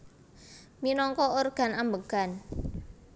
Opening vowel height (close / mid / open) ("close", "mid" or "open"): close